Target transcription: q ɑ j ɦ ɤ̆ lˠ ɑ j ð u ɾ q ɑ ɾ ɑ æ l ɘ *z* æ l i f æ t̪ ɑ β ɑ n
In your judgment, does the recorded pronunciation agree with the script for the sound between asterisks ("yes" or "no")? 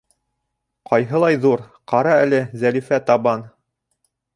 yes